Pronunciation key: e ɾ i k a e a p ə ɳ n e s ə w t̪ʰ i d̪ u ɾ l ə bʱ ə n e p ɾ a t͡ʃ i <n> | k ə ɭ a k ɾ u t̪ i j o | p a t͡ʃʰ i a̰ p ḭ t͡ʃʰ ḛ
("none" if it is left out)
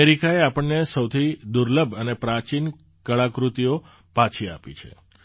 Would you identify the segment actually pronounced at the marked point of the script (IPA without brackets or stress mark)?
n